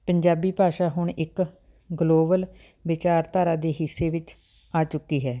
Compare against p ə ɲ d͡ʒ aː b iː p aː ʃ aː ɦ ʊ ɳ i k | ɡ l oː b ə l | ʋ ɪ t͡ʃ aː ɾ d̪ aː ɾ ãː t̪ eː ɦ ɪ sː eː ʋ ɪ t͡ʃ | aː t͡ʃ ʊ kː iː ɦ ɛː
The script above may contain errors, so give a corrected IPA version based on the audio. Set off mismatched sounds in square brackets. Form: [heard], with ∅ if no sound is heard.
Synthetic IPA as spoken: p ə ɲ d͡ʒ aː b iː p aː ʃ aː ɦ ʊ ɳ [ɪ] k | ɡ l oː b ə l | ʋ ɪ t͡ʃ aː ɾ [t̪] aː ɾ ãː [d̪] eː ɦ ɪ sː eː ʋ ɪ t͡ʃ | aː t͡ʃ ʊ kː iː ɦ ɛː